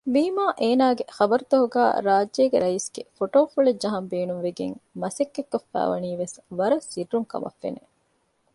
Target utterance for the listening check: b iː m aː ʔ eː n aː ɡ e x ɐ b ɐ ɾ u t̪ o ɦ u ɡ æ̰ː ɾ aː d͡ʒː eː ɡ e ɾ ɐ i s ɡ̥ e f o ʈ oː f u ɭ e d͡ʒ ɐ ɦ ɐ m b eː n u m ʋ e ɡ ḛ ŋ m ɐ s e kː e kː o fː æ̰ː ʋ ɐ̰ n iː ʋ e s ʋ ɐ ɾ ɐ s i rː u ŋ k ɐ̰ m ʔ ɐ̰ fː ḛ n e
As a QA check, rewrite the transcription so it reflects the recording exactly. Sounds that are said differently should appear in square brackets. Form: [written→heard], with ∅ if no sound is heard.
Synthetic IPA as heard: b iː m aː ʔ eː n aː ɡ e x ɐ b ɐ ɾ u t̪ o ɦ u ɡ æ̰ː ɾ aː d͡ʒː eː ɡ e ɾ ɐ i s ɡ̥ e f o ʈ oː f u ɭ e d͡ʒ ɐ ɦ ɐ m b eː n u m ʋ e ɡ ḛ ŋ m ɐ s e kː e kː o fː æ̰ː ʋ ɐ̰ n iː ʋ e s ʋ ɐ ɾ ɐ s i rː u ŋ k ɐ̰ m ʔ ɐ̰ fː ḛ n e